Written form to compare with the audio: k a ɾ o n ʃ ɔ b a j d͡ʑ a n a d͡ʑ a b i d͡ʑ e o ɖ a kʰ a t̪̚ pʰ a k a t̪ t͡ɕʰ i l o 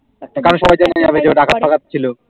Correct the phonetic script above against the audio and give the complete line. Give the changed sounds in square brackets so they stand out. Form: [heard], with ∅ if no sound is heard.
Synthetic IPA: k a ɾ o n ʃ ɔ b a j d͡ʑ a n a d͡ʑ a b [e] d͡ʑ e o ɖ a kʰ a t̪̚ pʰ a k a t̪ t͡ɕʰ i l o

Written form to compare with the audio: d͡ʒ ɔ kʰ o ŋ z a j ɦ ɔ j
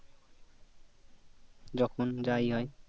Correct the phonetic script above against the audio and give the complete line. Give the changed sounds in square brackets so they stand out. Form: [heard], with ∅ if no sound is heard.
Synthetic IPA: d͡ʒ ɔ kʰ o [n] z a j ɦ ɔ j

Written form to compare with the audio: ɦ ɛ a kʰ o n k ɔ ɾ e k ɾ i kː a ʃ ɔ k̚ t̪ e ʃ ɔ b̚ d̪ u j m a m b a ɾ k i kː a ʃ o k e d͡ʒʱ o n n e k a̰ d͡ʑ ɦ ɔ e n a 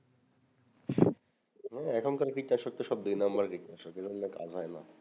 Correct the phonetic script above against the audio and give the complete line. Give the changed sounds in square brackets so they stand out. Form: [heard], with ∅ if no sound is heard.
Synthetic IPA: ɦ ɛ [ɛ] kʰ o n k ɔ ɾ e k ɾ i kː a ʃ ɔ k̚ t̪ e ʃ ɔ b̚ d̪ u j [n] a m b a ɾ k i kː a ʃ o k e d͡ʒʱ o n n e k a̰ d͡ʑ ɦ ɔ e n a

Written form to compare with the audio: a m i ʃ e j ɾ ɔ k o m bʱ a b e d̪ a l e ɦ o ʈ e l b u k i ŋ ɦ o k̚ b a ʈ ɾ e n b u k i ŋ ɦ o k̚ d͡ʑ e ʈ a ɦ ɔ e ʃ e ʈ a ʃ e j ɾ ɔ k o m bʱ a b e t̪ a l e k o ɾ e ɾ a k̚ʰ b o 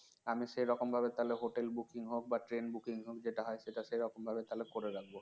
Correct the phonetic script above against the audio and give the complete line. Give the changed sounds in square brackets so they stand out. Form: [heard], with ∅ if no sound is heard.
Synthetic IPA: a m i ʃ e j ɾ ɔ k o m bʱ a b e [t̪] a l e ɦ o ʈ e l b u k i ŋ ɦ o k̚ b a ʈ ɾ e n b u k i ŋ ɦ o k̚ d͡ʑ e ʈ a ɦ ɔ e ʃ e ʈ a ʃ e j ɾ ɔ k o m bʱ a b e t̪ a l e k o ɾ e ɾ a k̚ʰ b o

